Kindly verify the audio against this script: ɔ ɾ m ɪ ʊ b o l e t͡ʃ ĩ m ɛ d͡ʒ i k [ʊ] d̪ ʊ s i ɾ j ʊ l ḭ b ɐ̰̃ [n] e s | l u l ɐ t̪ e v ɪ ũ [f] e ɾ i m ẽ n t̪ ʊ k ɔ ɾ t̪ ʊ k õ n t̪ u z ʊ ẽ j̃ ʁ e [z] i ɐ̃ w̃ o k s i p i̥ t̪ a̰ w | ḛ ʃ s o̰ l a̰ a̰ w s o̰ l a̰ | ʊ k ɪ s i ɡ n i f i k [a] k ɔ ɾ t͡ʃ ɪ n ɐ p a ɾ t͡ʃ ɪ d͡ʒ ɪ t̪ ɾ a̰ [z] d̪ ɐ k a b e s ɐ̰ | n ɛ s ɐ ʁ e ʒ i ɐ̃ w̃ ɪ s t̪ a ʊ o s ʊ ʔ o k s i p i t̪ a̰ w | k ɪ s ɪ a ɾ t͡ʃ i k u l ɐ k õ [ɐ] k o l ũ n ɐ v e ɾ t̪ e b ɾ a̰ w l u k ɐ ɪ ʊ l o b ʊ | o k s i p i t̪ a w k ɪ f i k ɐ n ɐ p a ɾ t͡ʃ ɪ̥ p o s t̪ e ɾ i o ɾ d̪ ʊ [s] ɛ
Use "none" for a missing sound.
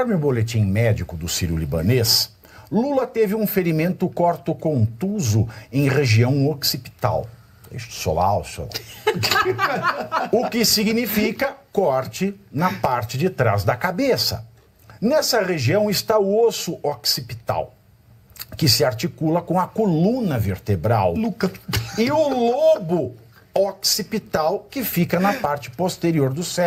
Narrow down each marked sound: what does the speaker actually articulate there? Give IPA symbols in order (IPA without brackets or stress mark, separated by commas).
ʊ, n, f, ʒ, ɐ, z, ɐ, s